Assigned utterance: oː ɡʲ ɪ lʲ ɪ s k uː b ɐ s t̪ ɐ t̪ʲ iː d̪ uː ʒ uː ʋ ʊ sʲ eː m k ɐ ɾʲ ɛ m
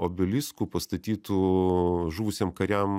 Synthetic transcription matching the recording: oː bʲ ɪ lʲ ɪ s k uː p ɐ s t̪ ɐ t̪ʲ iː t̪ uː ʒ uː ʋ ʊ sʲ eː m k ɐ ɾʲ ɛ m